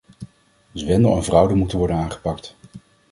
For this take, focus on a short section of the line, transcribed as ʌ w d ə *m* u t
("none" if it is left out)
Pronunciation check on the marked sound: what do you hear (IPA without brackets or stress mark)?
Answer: m